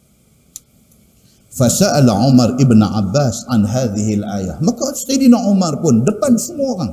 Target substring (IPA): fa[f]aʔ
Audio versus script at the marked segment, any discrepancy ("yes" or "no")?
yes